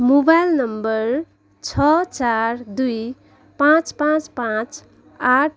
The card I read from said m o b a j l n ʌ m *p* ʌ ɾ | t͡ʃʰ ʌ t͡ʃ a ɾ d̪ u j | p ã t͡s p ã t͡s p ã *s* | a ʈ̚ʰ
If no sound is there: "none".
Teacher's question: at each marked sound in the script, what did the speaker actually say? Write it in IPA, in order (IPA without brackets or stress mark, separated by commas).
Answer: b, t͡s